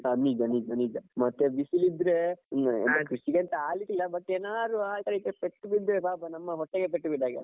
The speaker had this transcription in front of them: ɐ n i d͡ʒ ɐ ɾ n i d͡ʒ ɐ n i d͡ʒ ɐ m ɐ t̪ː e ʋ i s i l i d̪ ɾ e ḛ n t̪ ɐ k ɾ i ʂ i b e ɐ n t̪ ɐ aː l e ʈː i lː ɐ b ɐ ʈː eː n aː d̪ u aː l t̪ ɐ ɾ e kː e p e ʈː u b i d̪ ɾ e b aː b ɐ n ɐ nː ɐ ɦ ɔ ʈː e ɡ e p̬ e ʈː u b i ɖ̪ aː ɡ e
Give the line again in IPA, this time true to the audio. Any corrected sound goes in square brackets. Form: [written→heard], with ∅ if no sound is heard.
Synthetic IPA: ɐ n i d͡ʒ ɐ [ɾ→∅] n i d͡ʒ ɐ n i d͡ʒ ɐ m ɐ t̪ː e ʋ i s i l i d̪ ɾ e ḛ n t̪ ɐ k ɾ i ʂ i [b→ɡ] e ɐ n t̪ ɐ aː l [e→i] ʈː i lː ɐ b ɐ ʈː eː n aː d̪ u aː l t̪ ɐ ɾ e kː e p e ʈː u b i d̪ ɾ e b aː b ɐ n ɐ [nː→mː] ɐ ɦ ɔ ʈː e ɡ e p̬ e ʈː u b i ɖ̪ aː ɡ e